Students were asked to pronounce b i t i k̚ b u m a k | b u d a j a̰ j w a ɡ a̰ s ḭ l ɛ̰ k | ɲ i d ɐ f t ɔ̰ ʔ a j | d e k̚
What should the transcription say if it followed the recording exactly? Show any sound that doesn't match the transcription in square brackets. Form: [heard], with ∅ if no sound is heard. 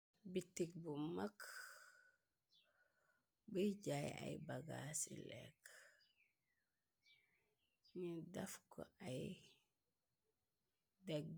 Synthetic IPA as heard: b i t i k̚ b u m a k | b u [ɟ] a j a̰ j [b] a ɡ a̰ s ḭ l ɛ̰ k | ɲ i d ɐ f [k] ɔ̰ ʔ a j | d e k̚